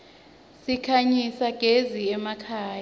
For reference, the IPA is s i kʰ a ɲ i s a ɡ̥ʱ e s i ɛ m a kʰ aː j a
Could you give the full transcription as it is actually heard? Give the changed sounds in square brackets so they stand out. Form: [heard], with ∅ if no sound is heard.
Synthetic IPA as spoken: s i kʰ a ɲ i s a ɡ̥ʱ e [z] i ɛ m a kʰ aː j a